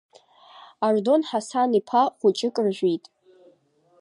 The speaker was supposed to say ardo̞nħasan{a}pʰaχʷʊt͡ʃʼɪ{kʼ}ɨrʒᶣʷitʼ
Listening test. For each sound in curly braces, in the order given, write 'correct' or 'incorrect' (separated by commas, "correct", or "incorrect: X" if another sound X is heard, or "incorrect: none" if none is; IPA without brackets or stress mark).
incorrect: i, correct